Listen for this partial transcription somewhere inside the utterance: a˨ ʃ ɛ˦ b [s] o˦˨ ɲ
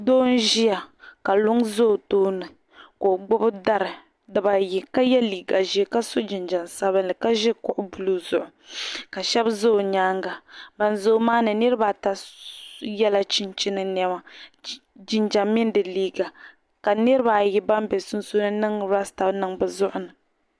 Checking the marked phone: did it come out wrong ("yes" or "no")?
yes